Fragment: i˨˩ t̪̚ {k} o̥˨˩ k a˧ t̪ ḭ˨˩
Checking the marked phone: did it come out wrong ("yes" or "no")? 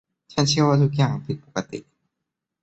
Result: yes